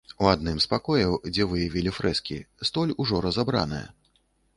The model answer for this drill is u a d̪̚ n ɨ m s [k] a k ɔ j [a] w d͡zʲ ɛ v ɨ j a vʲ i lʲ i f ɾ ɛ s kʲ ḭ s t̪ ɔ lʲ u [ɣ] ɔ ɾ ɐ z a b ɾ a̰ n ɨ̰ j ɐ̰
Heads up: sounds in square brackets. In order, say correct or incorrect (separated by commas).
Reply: incorrect, incorrect, incorrect